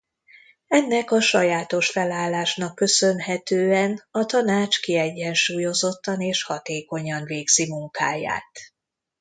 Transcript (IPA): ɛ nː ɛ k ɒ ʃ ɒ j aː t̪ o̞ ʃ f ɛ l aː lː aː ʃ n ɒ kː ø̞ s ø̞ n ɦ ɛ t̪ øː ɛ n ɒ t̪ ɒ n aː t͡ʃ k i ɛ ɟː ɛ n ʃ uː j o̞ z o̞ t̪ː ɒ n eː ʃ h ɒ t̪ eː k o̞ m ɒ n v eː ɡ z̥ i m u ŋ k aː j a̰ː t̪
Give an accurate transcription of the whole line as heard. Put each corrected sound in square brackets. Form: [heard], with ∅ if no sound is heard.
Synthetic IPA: ɛ nː ɛ k ɒ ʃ ɒ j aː t̪ o̞ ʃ f ɛ l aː lː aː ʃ n ɒ kː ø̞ s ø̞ n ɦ ɛ t̪ øː ɛ n ɒ t̪ ɒ n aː t͡ʃ k i ɛ ɟː ɛ n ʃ uː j o̞ z o̞ t̪ː ɒ n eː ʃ h ɒ t̪ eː k o̞ [ɲ] ɒ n v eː ɡ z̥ i m u ŋ k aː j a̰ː t̪